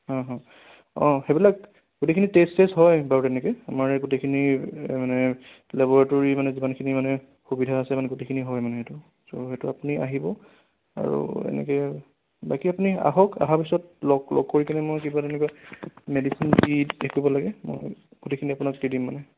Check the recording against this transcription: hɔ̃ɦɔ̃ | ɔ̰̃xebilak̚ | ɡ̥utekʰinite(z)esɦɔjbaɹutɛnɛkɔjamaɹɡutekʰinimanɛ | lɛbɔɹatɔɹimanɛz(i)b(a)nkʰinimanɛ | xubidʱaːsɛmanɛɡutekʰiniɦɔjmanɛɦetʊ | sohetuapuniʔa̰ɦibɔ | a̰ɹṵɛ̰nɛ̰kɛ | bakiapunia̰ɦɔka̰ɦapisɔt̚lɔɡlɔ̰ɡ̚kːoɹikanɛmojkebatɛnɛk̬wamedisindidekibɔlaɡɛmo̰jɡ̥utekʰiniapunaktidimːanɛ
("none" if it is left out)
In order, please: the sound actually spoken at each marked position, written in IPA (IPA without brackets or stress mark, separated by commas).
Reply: s, i, a